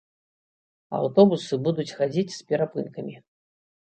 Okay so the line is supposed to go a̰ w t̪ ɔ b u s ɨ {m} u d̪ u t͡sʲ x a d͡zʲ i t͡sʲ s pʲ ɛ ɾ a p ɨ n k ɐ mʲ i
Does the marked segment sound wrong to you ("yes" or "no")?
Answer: yes